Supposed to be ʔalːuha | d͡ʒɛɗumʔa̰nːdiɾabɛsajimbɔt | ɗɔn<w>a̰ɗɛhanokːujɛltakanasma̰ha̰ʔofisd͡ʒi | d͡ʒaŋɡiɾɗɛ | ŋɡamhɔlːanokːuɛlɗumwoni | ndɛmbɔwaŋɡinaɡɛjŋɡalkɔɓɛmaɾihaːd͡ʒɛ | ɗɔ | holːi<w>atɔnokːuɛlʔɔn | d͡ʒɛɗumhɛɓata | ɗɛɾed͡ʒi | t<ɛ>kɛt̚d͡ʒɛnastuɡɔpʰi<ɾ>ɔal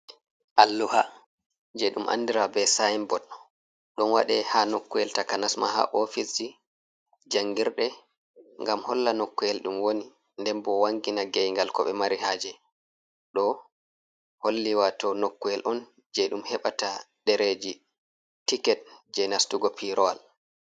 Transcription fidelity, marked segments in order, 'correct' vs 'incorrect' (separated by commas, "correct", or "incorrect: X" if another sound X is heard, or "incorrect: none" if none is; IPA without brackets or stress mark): correct, correct, incorrect: i, correct